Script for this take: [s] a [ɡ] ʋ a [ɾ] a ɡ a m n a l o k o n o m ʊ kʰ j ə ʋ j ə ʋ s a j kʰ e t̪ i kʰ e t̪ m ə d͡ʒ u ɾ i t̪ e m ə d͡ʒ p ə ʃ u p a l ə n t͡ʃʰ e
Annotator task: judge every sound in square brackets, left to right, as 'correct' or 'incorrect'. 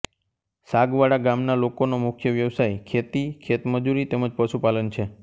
correct, correct, incorrect: ɽ

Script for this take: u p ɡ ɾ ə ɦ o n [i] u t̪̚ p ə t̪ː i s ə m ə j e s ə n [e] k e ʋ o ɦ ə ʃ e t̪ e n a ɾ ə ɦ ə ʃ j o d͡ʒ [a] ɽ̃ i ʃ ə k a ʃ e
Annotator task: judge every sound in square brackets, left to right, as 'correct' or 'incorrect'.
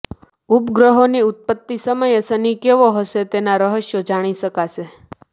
correct, incorrect: i, correct

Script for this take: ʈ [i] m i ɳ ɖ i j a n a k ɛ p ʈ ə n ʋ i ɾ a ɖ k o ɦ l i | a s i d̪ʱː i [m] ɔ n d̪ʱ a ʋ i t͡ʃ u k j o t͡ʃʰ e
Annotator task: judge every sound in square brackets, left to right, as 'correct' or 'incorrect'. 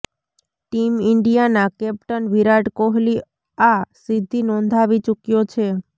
correct, incorrect: n

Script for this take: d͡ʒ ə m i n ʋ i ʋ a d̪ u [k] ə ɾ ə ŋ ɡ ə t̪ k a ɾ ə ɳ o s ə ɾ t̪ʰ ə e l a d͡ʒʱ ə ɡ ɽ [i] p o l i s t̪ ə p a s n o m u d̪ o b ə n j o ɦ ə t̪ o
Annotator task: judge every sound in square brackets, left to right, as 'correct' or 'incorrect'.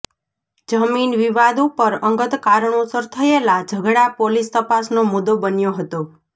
incorrect: p, incorrect: a

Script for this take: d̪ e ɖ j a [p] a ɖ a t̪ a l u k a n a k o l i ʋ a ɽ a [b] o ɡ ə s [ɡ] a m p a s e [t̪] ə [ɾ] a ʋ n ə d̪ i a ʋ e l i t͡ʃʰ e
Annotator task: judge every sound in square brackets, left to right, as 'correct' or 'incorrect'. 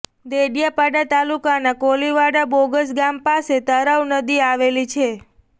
correct, correct, correct, correct, correct

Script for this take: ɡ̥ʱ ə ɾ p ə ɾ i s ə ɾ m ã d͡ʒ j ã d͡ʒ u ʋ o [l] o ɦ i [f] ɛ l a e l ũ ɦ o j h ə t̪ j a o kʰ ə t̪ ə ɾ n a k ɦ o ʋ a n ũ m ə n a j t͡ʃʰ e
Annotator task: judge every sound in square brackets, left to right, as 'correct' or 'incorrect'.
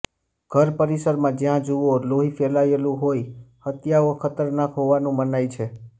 correct, correct

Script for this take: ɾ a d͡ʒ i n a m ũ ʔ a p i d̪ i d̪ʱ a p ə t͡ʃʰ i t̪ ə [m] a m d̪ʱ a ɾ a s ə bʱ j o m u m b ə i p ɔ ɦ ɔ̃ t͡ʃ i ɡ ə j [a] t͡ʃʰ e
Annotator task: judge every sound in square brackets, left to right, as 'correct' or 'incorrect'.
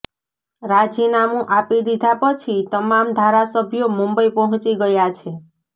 correct, correct

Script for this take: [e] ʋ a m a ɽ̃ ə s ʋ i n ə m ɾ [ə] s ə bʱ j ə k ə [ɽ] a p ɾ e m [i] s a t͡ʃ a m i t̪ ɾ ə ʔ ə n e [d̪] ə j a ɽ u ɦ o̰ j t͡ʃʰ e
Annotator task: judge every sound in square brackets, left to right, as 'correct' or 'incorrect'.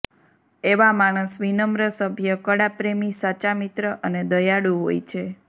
correct, correct, correct, correct, correct

